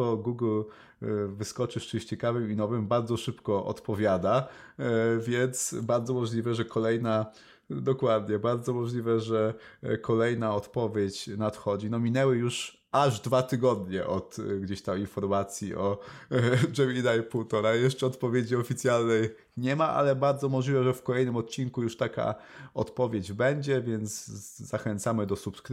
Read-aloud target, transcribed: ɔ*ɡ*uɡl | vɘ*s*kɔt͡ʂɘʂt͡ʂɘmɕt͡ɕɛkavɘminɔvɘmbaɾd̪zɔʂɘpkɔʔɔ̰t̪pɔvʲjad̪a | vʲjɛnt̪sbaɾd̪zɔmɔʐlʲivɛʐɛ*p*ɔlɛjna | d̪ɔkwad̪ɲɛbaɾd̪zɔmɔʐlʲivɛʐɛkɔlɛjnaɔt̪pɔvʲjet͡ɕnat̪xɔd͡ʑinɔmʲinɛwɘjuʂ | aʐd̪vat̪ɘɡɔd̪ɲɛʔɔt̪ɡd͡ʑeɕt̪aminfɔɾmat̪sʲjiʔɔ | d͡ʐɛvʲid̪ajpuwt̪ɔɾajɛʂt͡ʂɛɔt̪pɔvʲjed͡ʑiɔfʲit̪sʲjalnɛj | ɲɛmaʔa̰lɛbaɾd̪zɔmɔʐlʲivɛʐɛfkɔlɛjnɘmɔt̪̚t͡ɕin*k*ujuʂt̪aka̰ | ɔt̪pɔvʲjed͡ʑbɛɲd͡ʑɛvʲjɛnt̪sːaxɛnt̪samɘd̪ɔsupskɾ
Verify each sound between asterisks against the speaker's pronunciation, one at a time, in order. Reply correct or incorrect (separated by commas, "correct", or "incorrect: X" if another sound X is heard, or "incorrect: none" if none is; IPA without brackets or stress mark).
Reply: correct, correct, incorrect: k, correct